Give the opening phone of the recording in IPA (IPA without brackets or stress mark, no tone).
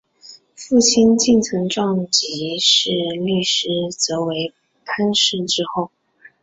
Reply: f